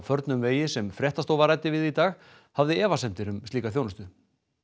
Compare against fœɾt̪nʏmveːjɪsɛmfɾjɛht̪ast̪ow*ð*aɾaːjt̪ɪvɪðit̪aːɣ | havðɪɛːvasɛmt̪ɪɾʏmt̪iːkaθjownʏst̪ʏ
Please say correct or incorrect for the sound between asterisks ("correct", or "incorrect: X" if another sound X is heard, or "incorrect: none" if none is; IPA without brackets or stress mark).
incorrect: v